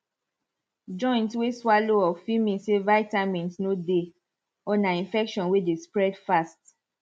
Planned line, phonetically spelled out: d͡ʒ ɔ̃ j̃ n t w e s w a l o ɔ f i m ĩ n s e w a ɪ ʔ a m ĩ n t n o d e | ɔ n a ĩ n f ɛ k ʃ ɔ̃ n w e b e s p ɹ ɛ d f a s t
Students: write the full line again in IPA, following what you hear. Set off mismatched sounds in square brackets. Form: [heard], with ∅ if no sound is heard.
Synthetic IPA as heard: d͡ʒ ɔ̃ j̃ n t w e s w a l o ɔ f i m ĩ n s e [v] a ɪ [t] a m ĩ n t n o d e | ɔ n a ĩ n f ɛ k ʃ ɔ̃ n w e [d] e s p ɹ ɛ d f a s t